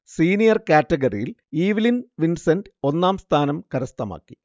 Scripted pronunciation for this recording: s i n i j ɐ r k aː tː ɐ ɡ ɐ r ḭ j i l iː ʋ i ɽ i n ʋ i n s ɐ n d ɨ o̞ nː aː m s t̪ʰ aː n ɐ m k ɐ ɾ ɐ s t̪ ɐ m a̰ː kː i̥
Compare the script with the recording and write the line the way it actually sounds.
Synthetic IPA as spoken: s iː n i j ɐ r k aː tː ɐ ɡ ɐ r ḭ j i l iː ʋ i l i n ʋ i n s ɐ n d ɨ o̞ nː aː m s t̪ʰ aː n ɐ m k ɐ ɾ ɐ s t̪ ɐ m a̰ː kː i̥